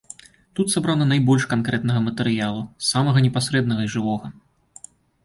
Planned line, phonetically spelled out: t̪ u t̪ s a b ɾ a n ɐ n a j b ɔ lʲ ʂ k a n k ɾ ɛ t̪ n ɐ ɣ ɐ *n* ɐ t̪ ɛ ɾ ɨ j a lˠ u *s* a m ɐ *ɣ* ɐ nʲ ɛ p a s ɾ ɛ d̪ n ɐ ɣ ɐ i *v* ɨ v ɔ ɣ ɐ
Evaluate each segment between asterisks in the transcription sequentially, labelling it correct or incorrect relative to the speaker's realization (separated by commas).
incorrect, correct, correct, incorrect